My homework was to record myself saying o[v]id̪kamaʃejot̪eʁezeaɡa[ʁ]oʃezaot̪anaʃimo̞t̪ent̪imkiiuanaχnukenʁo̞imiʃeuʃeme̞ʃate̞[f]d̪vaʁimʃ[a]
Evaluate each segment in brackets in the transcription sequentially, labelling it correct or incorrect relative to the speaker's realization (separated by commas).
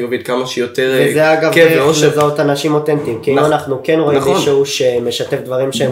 correct, incorrect, correct, incorrect